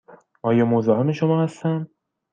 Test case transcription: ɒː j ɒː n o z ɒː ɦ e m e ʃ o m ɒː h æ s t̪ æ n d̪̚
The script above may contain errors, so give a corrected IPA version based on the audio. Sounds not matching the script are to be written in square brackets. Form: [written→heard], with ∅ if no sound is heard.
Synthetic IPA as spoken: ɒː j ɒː [n→m] o z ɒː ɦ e m e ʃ o m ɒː h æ s t̪ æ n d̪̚